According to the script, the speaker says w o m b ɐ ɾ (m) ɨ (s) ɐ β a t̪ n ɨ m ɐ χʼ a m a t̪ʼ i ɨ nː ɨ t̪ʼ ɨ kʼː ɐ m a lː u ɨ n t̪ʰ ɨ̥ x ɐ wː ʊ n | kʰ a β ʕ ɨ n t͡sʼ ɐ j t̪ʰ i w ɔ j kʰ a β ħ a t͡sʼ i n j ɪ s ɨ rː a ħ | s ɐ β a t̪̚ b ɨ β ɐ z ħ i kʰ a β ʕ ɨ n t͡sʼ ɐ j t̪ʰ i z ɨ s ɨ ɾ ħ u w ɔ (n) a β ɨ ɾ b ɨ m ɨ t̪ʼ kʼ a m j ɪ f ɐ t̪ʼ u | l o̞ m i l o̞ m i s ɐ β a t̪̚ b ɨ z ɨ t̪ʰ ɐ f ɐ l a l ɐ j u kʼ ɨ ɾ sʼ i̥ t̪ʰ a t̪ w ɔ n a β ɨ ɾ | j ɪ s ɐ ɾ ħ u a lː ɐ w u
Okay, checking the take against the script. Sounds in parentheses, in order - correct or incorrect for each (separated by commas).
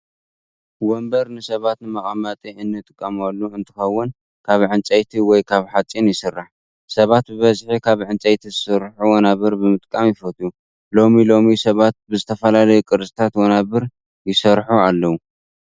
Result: incorrect, correct, correct